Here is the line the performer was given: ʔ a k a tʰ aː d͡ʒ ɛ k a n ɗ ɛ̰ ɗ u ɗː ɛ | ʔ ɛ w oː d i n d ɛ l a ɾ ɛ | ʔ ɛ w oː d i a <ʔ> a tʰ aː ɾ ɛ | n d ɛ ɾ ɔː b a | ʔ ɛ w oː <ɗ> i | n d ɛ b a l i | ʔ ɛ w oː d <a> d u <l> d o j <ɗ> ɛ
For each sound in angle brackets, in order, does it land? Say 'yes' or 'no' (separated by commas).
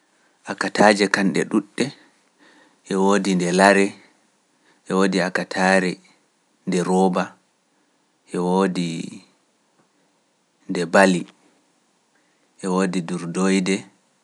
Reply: no, no, no, no, no